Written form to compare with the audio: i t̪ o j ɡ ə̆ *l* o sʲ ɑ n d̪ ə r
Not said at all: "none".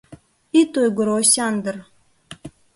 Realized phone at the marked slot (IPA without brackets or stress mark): ɾ